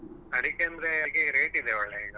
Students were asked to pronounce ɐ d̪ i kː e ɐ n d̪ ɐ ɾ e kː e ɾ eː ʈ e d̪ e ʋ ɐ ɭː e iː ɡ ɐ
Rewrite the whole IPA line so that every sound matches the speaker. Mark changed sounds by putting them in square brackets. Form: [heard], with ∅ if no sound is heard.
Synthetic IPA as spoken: ɐ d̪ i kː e ɐ n d̪ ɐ ɾ e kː e ɾ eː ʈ [i] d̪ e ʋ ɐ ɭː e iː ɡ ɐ